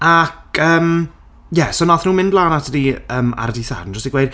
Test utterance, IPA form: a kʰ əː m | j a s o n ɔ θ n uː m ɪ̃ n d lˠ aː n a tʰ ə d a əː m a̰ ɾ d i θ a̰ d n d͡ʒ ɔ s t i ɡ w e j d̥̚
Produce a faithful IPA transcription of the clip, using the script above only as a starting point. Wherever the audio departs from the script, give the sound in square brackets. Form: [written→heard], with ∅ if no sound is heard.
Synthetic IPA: a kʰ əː m | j [a→ɛ] s o n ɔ θ n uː m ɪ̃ n d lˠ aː n a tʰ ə d [a→i] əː m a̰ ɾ d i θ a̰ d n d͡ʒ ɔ s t i ɡ w e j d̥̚